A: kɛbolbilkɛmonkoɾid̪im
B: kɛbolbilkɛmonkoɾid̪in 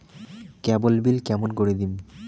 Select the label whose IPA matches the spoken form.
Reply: A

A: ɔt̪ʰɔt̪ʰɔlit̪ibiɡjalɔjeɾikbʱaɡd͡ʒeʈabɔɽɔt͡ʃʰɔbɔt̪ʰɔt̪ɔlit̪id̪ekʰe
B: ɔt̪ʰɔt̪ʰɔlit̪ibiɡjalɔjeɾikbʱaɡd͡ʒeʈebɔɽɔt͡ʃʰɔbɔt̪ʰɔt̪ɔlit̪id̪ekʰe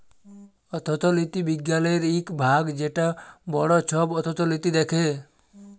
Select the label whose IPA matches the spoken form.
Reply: A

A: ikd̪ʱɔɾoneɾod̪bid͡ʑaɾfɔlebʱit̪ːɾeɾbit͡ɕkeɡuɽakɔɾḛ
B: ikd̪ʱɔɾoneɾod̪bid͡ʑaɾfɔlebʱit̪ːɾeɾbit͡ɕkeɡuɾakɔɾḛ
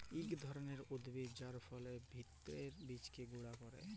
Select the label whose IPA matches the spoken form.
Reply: A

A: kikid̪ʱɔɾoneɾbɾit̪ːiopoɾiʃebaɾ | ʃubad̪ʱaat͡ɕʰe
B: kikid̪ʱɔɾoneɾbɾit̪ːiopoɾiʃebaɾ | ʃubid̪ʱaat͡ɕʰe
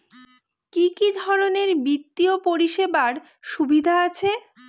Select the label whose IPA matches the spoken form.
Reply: B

